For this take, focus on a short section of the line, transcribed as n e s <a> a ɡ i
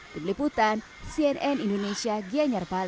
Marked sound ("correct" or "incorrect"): incorrect